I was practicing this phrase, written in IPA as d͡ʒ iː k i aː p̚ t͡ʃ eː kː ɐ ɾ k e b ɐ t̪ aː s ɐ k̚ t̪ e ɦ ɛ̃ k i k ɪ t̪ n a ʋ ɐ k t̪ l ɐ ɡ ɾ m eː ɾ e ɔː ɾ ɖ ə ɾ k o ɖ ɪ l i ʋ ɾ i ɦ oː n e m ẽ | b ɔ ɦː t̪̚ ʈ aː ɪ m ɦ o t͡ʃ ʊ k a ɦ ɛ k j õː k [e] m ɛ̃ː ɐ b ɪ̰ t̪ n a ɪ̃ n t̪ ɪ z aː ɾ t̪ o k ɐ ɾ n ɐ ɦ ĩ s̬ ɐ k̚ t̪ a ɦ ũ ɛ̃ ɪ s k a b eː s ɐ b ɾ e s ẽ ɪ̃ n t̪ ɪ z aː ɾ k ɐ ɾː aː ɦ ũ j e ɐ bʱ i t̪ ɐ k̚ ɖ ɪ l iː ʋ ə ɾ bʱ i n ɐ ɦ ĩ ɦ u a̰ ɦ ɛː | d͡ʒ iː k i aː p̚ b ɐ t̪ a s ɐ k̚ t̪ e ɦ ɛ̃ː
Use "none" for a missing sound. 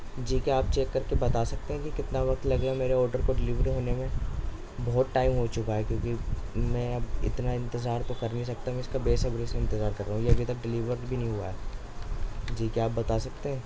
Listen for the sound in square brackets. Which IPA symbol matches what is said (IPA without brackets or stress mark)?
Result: i